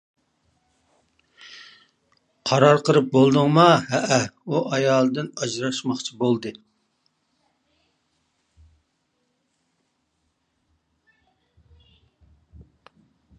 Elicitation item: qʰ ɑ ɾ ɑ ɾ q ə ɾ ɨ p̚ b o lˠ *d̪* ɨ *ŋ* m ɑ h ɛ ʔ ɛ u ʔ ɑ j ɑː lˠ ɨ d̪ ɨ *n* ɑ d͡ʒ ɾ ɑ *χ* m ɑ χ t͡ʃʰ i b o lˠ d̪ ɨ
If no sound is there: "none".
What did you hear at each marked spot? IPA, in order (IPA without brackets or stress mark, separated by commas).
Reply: d̪, ŋ, n, ʃ